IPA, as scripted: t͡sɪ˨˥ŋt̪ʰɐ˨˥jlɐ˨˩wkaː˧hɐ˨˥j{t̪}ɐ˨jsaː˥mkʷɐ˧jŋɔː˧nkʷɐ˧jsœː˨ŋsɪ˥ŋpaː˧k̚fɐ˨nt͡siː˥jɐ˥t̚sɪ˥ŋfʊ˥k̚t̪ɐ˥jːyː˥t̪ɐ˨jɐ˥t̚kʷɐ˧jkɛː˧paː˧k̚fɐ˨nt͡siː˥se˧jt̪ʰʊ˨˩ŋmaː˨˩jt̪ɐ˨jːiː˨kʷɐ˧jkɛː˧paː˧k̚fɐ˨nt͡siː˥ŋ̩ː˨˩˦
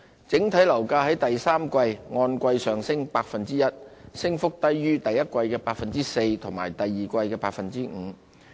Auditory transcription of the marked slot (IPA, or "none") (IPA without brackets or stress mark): t̪